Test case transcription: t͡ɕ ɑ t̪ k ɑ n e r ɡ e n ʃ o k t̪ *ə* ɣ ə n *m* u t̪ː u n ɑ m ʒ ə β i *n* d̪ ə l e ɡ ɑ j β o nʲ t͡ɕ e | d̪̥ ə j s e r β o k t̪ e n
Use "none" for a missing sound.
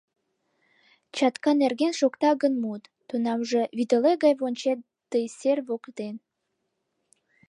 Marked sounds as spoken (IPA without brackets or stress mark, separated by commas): ɑ, m, none